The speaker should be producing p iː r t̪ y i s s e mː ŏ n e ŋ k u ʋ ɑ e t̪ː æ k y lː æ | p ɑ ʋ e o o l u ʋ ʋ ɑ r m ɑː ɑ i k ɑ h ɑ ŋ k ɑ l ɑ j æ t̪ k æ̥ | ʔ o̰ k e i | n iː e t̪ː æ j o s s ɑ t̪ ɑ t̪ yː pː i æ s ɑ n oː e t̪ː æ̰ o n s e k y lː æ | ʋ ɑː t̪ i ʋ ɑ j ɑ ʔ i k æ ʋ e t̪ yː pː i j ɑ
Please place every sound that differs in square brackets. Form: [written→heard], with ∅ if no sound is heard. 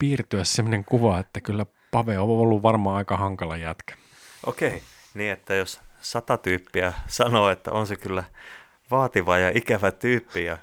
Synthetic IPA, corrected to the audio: p iː r t̪ y [i→æ] s s e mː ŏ n e ŋ k u ʋ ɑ e t̪ː æ k y lː æ | p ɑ ʋ e o o [l→lː] u ʋ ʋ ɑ r m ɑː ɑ i k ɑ h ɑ ŋ k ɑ l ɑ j æ t̪ k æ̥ | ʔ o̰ k e i | n iː e t̪ː æ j o s s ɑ t̪ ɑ t̪ yː pː i æ s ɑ n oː e t̪ː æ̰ o n s e k y lː æ | ʋ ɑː t̪ i ʋ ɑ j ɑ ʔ i k æ ʋ [e→æ] t̪ yː pː i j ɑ